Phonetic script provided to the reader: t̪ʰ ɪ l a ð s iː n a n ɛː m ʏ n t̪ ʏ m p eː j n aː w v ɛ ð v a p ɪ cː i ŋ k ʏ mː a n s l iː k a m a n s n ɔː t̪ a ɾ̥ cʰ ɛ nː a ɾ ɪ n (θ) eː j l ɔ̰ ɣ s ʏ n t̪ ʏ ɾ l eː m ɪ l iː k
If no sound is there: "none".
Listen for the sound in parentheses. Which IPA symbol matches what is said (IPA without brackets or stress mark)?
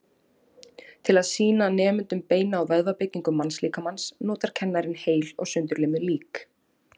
h